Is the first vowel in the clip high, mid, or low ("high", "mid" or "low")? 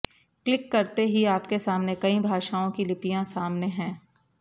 high